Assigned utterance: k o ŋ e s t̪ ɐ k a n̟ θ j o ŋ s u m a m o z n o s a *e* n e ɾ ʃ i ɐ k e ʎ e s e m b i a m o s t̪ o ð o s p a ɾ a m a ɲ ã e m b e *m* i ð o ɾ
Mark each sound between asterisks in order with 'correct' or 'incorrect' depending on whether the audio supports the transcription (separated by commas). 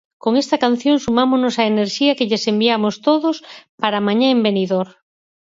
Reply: correct, incorrect